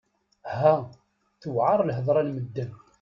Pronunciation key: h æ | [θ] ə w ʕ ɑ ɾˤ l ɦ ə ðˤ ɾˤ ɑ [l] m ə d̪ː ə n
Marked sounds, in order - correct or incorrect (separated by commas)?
correct, correct